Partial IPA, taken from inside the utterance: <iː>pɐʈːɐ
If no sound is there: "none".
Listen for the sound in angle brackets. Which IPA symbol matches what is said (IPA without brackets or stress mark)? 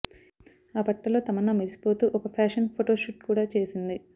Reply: aː